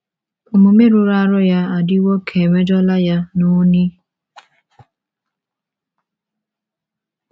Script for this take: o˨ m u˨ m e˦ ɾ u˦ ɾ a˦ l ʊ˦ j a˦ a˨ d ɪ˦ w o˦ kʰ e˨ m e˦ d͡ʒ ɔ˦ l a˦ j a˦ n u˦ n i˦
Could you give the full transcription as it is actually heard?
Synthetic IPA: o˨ m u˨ m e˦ ɾ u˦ ɾ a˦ ɾ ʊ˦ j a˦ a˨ d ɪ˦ w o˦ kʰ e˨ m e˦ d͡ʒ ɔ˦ l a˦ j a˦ n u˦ n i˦